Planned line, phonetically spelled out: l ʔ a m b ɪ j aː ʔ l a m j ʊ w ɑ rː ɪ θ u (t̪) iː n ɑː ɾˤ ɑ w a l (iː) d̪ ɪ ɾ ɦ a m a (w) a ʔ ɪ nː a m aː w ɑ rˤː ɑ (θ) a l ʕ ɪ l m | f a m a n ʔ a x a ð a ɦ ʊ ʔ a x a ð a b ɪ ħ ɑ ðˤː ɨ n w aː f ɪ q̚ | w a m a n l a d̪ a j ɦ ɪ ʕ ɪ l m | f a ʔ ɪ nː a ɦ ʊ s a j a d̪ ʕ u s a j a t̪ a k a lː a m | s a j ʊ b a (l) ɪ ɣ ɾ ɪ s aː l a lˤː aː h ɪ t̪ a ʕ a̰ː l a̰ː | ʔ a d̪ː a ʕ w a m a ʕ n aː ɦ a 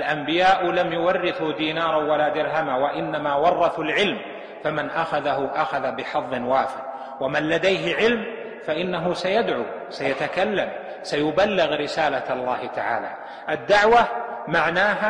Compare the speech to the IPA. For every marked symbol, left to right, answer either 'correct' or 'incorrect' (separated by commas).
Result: incorrect, incorrect, correct, correct, incorrect